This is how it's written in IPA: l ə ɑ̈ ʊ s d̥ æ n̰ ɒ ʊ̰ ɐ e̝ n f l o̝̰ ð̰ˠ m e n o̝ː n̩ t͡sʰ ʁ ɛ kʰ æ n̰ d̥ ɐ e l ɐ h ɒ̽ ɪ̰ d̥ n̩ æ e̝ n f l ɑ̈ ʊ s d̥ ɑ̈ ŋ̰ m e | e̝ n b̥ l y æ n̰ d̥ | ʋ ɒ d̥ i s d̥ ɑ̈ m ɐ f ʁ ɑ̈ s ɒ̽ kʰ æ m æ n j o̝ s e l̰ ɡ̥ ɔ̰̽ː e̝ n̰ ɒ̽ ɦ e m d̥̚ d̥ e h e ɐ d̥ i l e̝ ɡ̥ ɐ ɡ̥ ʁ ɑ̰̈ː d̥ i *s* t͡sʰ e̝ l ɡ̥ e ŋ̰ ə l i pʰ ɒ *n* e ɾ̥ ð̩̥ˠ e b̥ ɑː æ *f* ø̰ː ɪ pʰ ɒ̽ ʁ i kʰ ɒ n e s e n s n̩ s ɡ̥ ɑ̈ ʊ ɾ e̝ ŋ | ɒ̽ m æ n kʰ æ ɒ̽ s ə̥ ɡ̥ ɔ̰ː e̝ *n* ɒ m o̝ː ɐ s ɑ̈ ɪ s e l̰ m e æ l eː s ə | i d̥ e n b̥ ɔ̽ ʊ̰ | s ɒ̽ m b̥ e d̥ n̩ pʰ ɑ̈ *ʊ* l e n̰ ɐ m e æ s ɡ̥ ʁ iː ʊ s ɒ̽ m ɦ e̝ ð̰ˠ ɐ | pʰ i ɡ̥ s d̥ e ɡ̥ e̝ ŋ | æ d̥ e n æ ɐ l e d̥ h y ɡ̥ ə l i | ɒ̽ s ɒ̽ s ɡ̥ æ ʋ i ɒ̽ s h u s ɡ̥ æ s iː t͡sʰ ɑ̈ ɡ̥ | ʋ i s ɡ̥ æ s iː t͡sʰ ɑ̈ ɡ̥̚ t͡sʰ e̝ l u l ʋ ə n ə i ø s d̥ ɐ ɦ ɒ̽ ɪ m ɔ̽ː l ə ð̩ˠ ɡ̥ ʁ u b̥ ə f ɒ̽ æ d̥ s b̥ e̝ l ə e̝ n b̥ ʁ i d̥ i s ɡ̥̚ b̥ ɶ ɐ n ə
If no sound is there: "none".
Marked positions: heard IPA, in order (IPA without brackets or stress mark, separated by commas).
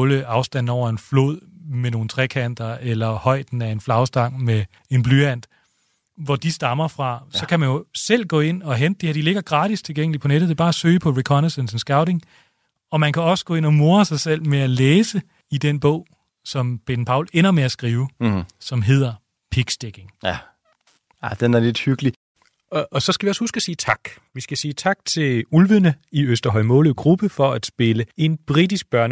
s, n, s, n, ʊ